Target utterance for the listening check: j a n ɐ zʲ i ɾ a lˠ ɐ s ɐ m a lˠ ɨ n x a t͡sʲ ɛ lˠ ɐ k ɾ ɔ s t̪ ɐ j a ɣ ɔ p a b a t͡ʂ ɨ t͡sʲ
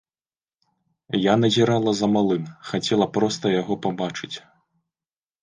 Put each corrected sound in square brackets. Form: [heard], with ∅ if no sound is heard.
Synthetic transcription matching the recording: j a n ɐ zʲ i ɾ a lˠ ɐ [z] ɐ m a lˠ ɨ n x a t͡sʲ ɛ lˠ ɐ [p] ɾ ɔ s t̪ ɐ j a ɣ ɔ p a b a t͡ʂ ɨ t͡sʲ

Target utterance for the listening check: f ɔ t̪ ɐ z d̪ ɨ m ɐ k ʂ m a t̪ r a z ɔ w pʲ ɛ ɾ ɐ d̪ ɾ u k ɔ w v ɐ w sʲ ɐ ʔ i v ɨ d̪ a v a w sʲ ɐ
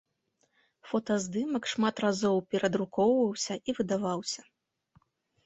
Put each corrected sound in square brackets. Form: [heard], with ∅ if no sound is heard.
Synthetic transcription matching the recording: f ɔ t̪ ɐ z d̪ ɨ m ɐ k ʂ m a t̪ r a z ɔ w pʲ ɛ ɾ ɐ d̪ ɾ u k ɔ w v ɐ w sʲ ɐ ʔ i v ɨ d̪ a v a w sʲ ɐ

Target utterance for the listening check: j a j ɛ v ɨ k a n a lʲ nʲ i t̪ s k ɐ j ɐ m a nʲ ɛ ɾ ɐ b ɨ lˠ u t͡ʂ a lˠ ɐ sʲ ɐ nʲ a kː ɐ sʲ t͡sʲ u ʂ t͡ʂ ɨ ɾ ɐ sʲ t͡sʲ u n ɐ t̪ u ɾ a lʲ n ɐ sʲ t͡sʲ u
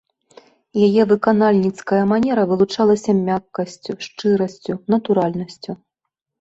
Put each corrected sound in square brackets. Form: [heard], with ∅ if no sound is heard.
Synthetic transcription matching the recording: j a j ɛ v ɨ k a n a lʲ nʲ i t̪ s k ɐ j ɐ m a nʲ ɛ ɾ ɐ [v] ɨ lˠ u t͡ʂ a lˠ ɐ sʲ ɐ [mʲ] a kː ɐ sʲ t͡sʲ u ʂ t͡ʂ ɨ ɾ ɐ sʲ t͡sʲ u n ɐ t̪ u ɾ a lʲ n ɐ sʲ t͡sʲ u

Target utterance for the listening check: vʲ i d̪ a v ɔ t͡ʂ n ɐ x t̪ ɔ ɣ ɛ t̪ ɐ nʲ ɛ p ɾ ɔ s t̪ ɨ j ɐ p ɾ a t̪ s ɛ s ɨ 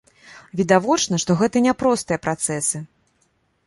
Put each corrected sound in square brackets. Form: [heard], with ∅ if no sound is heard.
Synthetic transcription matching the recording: vʲ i d̪ a v ɔ t͡ʂ n ɐ [ʂ] t̪ ɔ ɣ ɛ t̪ ɐ nʲ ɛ p ɾ ɔ s t̪ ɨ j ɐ p ɾ a t̪ s ɛ s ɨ

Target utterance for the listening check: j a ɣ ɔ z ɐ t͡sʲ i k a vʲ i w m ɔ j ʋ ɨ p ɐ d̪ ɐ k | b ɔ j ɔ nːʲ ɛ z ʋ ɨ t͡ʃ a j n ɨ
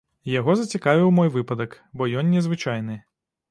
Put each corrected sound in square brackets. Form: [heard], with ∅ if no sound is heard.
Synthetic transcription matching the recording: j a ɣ ɔ z ɐ t͡sʲ i k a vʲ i w m ɔ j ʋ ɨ p ɐ d̪ ɐ k | b ɔ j ɔ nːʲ ɛ z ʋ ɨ t͡ʃ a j n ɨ

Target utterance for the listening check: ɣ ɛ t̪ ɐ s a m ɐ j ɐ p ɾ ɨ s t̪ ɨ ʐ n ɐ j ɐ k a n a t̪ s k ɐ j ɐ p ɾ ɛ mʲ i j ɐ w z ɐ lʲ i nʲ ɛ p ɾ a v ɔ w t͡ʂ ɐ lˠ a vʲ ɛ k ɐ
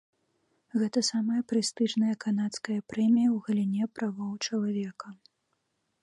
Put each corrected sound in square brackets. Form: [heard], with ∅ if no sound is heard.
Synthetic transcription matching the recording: ɣ ɛ t̪ ɐ s a m ɐ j ɐ p ɾ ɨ s t̪ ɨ ʐ n ɐ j ɐ k a n a t̪ s k ɐ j ɐ p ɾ ɛ mʲ i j ɐ w [ɣ] ɐ lʲ i nʲ ɛ p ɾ a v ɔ w t͡ʂ ɐ lˠ a vʲ ɛ k ɐ

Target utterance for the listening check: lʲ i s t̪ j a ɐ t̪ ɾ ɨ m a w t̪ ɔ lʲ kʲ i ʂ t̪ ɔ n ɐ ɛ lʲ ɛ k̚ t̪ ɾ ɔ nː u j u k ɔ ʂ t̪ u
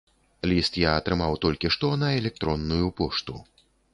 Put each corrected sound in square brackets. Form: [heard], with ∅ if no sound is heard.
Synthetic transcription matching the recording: lʲ i s t̪ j a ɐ t̪ ɾ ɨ m a w t̪ ɔ lʲ kʲ i ʂ t̪ ɔ n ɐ ɛ lʲ ɛ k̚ t̪ ɾ ɔ nː u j u [p] ɔ ʂ t̪ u

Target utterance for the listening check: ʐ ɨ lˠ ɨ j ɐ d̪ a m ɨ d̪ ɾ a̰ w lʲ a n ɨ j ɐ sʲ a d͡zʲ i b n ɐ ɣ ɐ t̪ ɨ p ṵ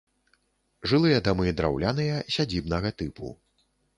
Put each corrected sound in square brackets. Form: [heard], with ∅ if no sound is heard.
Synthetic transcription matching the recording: ʐ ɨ lˠ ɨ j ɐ d̪ a m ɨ d̪ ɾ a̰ w lʲ a n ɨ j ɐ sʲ a d͡zʲ i b n ɐ ɣ ɐ t̪ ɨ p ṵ

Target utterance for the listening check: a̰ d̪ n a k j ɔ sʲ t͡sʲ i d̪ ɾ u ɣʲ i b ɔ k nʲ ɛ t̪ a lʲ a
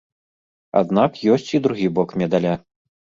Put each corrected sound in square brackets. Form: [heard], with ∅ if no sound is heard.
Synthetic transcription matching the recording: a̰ d̪ n a k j ɔ sʲ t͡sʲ i d̪ ɾ u ɣʲ i b ɔ k [mʲ] ɛ [d̪] a lʲ a

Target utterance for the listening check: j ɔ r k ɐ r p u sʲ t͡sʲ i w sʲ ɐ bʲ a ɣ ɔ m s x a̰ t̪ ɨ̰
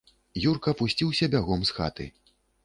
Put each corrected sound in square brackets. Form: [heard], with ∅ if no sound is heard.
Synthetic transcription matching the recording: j [u] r k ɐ [∅] p u sʲ t͡sʲ i w sʲ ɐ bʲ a ɣ ɔ m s x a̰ t̪ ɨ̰

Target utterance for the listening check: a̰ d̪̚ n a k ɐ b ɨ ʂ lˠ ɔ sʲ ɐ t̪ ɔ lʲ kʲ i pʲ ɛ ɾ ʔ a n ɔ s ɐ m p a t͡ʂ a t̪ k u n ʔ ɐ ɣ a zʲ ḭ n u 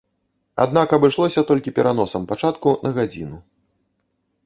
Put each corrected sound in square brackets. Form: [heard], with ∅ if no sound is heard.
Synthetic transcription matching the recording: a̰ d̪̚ n a k ɐ b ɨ ʂ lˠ ɔ sʲ ɐ t̪ ɔ lʲ kʲ i pʲ ɛ ɾ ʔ a n ɔ s ɐ m p a t͡ʂ a t̪ k u n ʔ ɐ ɣ a [d͡zʲ] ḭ n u

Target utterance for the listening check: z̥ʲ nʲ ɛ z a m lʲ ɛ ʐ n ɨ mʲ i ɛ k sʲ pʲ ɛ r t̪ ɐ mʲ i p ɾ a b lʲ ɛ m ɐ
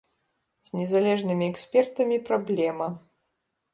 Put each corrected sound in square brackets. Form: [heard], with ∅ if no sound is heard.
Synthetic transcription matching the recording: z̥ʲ nʲ ɛ z a [∅] lʲ ɛ ʐ n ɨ mʲ i ɛ k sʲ pʲ ɛ r t̪ ɐ mʲ i p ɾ a b lʲ ɛ m ɐ

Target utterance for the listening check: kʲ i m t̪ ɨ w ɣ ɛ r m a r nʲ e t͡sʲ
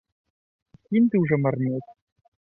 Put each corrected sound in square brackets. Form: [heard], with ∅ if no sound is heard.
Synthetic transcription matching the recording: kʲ i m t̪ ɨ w [ʐ] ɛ [∅] m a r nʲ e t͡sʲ

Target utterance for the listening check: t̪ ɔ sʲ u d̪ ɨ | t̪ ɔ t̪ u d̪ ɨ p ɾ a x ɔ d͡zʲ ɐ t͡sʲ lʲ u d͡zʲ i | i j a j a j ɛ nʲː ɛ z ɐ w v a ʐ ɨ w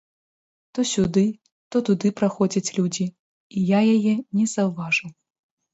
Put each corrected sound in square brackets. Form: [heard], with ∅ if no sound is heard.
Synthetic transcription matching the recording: t̪ ɔ sʲ u d̪ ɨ | t̪ ɔ t̪ u d̪ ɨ p ɾ a x ɔ d͡zʲ ɐ t͡sʲ lʲ u d͡zʲ i | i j a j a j ɛ [nʲ] ɛ z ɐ w v a ʐ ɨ w

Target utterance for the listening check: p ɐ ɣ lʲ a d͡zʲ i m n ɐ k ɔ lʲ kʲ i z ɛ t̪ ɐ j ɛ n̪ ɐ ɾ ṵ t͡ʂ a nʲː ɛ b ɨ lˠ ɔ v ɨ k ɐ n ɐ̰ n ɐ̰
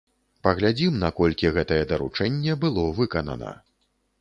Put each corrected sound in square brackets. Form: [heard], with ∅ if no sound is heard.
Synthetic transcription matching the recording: p ɐ ɣ lʲ a d͡zʲ i m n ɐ k ɔ lʲ kʲ i [ɣ] ɛ t̪ ɐ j ɛ [d̪] ɐ ɾ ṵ t͡ʂ [ɛ] nʲː ɛ b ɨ lˠ ɔ v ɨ k ɐ n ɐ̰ n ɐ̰

